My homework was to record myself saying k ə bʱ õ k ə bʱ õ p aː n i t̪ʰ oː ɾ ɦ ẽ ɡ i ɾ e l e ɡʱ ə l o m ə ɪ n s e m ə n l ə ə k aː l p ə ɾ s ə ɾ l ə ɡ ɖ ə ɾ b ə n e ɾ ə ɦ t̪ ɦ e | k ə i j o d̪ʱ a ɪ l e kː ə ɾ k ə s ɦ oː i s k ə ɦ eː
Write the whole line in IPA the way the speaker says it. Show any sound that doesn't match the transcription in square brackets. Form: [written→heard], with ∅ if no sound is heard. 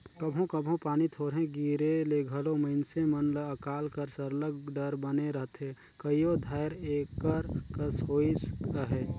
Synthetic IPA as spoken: k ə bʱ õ k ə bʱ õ p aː n i t̪ʰ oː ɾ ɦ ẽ ɡ i ɾ e l e ɡʱ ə l o m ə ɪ n s e m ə n l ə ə k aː l [p→k] ə ɾ s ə ɾ l ə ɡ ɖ ə ɾ b ə n e ɾ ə ɦ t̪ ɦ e | k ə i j o d̪ʱ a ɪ [l→ɾ] e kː ə ɾ k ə s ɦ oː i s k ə ɦ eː